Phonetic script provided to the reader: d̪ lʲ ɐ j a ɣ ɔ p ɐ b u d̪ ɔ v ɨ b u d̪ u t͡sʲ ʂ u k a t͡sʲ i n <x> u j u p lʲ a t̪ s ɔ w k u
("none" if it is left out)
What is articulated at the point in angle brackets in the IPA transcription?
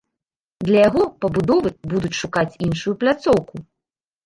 ʂ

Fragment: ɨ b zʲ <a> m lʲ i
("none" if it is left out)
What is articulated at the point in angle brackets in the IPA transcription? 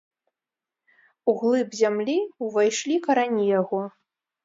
a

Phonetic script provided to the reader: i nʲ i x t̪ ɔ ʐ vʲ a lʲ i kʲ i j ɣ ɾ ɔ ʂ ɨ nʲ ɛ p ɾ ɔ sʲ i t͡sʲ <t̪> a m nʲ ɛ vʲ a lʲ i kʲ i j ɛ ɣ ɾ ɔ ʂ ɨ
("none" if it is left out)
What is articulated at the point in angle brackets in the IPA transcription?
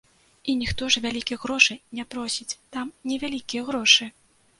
t̪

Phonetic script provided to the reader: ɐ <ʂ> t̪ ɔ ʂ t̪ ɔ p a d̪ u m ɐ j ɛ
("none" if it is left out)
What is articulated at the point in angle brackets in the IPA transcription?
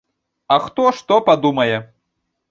x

